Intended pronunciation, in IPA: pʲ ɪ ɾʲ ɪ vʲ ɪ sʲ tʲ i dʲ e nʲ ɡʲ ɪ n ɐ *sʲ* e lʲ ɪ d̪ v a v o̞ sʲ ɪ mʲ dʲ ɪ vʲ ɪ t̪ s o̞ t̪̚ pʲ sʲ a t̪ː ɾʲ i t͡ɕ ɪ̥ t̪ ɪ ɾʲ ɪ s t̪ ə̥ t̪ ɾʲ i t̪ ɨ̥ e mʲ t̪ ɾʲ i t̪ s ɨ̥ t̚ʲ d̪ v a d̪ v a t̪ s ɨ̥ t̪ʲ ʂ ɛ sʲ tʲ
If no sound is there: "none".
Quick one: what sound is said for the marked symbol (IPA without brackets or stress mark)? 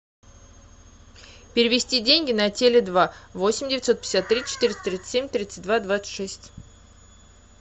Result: tʲ